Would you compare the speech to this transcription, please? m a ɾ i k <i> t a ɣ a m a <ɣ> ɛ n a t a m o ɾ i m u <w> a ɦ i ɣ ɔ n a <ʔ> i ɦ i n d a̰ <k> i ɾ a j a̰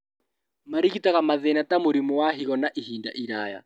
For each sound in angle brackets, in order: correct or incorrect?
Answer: correct, incorrect, correct, correct, incorrect

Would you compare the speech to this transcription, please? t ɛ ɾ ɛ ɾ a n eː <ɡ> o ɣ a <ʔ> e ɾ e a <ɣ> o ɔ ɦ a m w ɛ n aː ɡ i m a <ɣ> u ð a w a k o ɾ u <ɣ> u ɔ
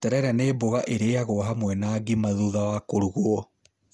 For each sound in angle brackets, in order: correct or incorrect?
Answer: incorrect, correct, correct, incorrect, correct

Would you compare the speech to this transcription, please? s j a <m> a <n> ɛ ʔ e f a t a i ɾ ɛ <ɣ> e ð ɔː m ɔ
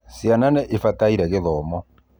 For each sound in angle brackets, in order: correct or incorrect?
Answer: incorrect, correct, correct

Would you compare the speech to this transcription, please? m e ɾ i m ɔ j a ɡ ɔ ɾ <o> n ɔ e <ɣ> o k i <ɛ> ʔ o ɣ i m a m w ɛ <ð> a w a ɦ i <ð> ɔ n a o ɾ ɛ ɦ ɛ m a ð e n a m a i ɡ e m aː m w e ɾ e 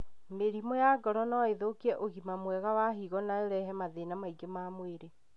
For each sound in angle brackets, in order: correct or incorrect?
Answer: incorrect, incorrect, correct, incorrect, incorrect

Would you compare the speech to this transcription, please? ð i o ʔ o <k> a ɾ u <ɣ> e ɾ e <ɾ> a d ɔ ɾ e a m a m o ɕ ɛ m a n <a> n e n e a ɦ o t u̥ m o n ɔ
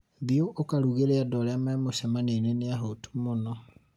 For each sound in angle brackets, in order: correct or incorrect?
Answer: correct, correct, incorrect, incorrect

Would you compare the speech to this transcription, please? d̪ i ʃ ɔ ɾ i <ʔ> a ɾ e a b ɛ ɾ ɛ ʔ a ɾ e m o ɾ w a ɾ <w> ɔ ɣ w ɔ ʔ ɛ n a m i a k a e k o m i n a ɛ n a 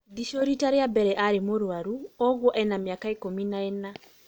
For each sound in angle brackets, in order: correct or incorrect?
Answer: incorrect, incorrect

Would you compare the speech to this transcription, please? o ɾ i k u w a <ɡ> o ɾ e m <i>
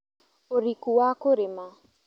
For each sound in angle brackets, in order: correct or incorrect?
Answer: incorrect, incorrect

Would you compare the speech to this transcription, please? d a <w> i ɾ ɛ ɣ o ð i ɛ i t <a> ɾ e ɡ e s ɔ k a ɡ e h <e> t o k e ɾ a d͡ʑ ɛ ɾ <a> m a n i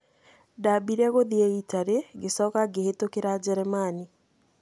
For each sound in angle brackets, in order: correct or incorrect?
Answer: incorrect, correct, correct, incorrect

